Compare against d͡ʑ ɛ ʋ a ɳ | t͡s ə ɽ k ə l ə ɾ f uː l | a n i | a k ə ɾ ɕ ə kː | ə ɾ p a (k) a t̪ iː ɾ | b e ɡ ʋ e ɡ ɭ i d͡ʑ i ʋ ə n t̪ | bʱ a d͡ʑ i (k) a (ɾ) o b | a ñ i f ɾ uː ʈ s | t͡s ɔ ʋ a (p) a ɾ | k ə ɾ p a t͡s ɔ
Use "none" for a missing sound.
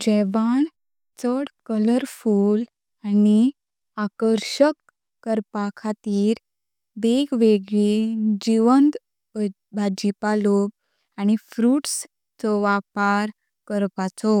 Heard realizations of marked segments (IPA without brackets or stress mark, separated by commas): kʰ, p, l, p